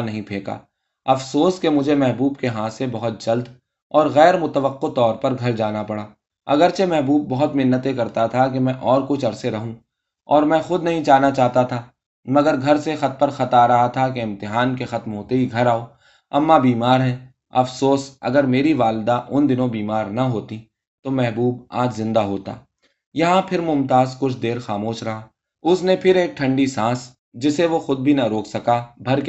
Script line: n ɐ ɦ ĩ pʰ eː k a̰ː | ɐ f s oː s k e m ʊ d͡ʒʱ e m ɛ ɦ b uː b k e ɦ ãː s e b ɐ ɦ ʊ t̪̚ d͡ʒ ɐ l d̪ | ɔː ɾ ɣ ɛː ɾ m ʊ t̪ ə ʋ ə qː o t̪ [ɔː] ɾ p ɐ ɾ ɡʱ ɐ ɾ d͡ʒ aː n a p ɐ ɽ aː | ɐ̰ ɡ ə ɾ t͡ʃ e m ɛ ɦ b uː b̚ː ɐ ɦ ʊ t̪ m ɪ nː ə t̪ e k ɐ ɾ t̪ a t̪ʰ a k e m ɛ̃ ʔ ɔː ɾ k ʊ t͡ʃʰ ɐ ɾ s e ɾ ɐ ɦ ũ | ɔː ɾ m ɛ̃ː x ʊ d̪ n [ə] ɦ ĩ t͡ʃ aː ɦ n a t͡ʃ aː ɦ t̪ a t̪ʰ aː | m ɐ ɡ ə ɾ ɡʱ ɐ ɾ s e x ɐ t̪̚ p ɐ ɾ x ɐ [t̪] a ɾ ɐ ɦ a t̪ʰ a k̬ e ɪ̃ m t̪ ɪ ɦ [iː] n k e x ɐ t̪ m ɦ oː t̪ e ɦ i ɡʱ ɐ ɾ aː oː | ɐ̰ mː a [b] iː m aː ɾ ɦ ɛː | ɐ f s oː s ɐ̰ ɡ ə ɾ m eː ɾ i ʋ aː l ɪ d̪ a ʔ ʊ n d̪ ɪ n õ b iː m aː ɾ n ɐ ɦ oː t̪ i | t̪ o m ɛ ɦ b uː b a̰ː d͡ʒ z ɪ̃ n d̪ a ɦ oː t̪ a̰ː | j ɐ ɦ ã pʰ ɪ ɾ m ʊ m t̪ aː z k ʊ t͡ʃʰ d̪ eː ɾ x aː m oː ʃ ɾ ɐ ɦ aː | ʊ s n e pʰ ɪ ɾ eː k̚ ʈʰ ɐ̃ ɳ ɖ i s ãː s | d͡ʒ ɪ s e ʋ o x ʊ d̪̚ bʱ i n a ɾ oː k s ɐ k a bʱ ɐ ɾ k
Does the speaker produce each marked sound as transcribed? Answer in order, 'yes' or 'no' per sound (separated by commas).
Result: yes, no, yes, no, yes